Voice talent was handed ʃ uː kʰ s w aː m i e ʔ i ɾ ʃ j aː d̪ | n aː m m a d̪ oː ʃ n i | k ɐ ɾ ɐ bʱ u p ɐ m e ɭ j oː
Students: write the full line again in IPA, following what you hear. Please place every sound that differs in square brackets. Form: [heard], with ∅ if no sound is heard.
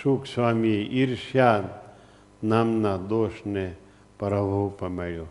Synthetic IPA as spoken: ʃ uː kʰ s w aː m i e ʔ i ɾ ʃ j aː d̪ | n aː m [n] a d̪ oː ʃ n [e] | [p] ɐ ɾ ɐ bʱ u p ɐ m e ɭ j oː